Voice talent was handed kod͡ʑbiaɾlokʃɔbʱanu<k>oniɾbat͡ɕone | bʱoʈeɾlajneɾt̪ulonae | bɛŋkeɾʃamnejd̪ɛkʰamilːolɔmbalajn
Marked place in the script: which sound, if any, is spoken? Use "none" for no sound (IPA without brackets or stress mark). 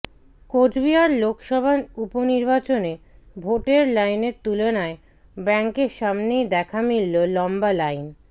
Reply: p